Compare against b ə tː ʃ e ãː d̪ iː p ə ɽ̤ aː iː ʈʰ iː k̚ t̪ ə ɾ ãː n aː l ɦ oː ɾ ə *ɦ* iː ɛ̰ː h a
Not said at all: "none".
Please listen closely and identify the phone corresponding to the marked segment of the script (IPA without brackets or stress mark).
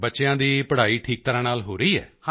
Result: none